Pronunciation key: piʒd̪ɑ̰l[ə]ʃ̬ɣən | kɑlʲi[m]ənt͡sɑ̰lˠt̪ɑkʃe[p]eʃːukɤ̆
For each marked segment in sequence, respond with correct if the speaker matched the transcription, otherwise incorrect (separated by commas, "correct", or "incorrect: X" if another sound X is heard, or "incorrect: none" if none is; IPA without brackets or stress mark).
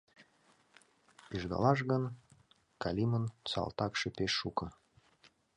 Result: incorrect: ɑ, correct, correct